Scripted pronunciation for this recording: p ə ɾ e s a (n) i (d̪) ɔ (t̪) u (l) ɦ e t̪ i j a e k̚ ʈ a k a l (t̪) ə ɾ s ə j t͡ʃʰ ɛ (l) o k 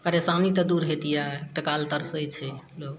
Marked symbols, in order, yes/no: yes, no, no, no, yes, yes

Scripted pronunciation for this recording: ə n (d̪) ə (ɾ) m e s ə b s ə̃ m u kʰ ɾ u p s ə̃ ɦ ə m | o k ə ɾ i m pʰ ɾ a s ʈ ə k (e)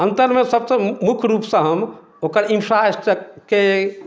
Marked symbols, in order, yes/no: no, yes, yes

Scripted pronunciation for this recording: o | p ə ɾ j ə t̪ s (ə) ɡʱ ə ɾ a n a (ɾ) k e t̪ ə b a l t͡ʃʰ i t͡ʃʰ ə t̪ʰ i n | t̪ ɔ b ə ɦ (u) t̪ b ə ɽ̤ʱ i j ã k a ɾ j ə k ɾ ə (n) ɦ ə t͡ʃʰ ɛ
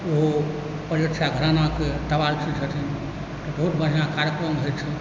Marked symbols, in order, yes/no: no, no, yes, no

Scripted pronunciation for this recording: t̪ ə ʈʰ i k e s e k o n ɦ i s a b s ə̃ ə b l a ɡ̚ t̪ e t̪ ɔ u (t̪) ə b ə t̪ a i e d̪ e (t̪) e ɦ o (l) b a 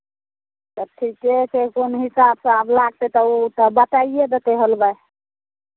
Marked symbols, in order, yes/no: yes, yes, yes

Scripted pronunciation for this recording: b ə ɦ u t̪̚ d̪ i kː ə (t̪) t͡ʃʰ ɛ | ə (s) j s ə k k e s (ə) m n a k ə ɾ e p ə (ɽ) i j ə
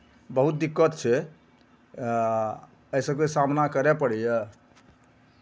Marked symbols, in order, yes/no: yes, no, no, yes

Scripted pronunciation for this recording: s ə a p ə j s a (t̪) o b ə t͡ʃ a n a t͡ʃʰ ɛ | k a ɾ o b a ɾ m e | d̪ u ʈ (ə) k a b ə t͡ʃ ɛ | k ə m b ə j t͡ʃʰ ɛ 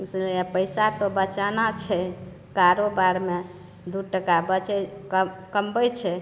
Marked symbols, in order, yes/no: yes, yes

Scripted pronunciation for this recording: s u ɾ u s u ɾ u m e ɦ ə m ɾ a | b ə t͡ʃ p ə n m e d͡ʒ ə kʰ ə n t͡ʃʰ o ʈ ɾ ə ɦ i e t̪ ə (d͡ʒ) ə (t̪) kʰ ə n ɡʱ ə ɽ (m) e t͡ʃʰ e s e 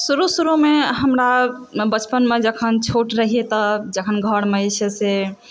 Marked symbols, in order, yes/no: yes, no, yes

